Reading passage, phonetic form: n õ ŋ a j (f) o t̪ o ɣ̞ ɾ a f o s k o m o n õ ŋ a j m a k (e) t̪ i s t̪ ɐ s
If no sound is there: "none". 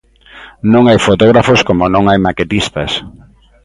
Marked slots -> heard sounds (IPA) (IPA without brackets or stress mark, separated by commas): f, e